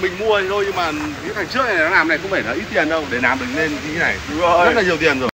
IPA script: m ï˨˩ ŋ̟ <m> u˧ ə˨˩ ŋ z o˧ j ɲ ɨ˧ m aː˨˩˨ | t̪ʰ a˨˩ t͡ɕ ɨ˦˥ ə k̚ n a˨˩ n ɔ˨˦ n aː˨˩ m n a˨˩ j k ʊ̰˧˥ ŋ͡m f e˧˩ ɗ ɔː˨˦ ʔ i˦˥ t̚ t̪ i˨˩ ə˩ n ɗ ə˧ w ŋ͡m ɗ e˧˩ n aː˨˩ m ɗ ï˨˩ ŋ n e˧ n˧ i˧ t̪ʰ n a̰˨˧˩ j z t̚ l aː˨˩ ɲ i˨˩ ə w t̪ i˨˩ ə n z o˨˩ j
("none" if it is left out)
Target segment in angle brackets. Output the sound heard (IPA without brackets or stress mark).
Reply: m